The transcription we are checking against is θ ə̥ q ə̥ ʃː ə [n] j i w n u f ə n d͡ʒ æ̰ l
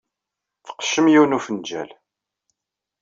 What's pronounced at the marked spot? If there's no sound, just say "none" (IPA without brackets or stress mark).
m